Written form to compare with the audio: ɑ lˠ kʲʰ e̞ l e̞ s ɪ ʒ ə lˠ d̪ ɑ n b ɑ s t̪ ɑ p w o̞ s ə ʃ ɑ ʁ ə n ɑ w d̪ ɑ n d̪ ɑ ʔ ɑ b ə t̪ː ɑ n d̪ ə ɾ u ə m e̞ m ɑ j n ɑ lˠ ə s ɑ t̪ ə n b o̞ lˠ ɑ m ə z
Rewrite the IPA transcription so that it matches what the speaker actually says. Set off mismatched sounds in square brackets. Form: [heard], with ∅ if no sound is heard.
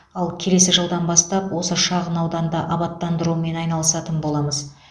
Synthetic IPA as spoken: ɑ lˠ kʲʰ e̞ l e̞ s ɪ ʒ ə lˠ d̪ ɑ n b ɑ s t̪ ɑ p w o̞ s ə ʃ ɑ ʁ ə n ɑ w d̪ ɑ n d̪ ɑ ʔ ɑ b [ɑ] t̪ː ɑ n d̪ ə ɾ u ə m e̞ [n] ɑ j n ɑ lˠ ə s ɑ t̪ ə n b o̞ lˠ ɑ m ə z